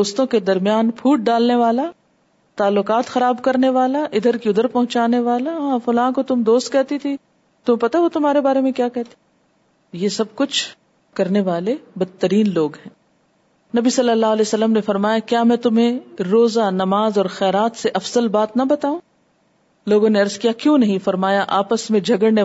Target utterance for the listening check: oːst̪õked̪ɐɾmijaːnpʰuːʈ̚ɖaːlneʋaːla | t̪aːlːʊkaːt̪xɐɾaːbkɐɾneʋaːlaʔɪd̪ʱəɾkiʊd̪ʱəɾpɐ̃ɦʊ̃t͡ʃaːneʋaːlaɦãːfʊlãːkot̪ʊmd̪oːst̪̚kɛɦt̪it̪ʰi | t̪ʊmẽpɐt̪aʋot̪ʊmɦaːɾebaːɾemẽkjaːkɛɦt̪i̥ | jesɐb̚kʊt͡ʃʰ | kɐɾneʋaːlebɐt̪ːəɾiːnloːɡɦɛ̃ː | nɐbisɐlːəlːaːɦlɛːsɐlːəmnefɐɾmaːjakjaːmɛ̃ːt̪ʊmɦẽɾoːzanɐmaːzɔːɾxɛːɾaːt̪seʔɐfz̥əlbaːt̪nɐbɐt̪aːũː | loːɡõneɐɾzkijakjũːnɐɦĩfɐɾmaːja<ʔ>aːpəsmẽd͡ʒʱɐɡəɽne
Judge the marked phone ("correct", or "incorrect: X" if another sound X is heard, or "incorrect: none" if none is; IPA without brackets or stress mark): correct